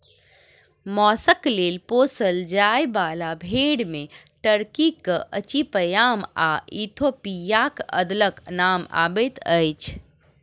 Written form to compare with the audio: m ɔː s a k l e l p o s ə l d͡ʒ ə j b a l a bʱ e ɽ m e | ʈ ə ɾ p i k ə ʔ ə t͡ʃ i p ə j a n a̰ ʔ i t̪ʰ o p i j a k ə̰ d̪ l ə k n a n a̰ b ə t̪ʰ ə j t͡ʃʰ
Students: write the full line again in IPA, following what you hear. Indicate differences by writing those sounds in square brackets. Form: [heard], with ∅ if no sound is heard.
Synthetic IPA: m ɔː s [ə] k l e l p o s ə l d͡ʒ [a] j b a l a bʱ e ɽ m e | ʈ ə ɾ [k] i k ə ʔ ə t͡ʃ i p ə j a [m] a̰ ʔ i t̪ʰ o p i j a k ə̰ d̪ l ə k n a [m] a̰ b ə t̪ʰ ə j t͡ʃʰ